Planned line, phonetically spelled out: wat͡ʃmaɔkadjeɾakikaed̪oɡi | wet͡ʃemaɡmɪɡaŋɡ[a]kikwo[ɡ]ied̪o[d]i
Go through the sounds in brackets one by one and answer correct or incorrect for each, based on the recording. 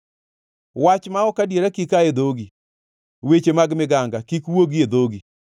correct, correct, incorrect: ɡ

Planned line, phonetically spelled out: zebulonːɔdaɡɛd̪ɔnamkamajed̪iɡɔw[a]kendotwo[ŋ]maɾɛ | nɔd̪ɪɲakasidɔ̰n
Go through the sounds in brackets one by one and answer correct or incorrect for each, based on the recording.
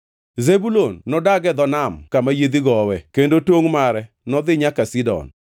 incorrect: ɛ, correct

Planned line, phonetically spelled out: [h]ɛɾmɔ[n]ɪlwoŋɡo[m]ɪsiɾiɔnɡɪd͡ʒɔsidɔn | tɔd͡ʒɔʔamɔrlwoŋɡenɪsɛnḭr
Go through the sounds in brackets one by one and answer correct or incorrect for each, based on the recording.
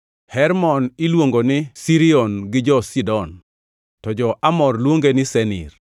correct, correct, incorrect: n

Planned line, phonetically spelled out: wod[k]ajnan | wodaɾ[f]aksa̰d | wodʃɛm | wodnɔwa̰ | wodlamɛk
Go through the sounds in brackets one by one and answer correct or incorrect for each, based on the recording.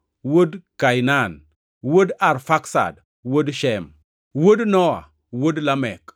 correct, correct

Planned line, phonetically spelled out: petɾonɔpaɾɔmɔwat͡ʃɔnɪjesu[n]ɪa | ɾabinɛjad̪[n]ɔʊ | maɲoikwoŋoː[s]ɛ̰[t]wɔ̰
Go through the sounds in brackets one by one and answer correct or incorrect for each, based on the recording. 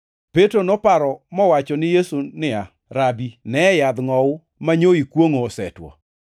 correct, incorrect: ŋ, correct, correct

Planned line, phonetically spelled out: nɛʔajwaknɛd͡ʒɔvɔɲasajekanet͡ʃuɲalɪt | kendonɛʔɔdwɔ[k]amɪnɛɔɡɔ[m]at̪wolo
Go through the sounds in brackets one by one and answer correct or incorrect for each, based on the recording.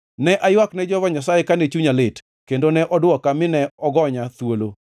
correct, incorrect: ɲ

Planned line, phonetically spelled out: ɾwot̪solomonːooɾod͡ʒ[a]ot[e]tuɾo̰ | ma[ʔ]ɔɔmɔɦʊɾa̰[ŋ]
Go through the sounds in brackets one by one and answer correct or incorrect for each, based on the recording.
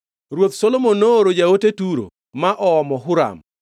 correct, correct, correct, incorrect: m

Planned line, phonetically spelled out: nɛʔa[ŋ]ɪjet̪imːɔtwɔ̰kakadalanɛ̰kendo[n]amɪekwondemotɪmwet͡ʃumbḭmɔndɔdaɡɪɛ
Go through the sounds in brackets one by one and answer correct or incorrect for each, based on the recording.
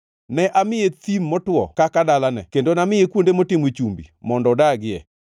incorrect: m, correct

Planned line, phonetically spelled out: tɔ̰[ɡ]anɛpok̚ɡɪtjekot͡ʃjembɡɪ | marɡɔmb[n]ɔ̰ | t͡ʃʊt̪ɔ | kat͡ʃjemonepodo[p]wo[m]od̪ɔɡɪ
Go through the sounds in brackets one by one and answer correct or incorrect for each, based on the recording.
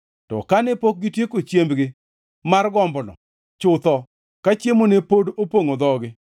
incorrect: k, correct, correct, incorrect: ŋ

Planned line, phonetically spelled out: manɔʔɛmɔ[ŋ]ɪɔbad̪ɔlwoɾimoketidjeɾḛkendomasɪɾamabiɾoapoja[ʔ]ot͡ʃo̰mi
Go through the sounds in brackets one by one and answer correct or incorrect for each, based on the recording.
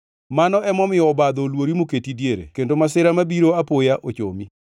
incorrect: m, correct

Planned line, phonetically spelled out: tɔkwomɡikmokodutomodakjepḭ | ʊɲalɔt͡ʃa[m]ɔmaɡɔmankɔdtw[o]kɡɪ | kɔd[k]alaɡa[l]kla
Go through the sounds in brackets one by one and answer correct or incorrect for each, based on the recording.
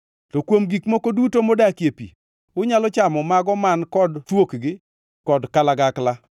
correct, correct, correct, incorrect: none

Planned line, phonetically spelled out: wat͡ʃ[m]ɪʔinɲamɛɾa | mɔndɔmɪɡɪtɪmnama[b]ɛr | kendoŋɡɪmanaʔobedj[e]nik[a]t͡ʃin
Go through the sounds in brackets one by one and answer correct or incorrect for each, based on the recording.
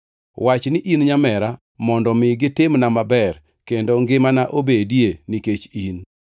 incorrect: n, correct, correct, incorrect: e

